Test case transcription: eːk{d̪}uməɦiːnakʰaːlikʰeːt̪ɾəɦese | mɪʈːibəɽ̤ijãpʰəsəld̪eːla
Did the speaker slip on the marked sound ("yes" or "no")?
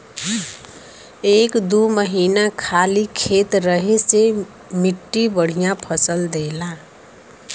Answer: no